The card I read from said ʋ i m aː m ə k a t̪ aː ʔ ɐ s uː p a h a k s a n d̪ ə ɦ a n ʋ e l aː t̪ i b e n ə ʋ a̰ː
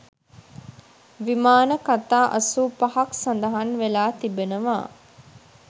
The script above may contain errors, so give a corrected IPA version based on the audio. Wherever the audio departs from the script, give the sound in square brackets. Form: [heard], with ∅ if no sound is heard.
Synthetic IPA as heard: ʋ i m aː [n] ə k a t̪ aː ʔ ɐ s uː p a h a k s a n d̪ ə ɦ a n ʋ e l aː t̪ i b e n ə ʋ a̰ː